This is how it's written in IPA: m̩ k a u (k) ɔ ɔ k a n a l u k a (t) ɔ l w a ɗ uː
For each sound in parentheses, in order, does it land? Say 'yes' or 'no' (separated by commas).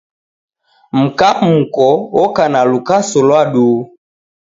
yes, no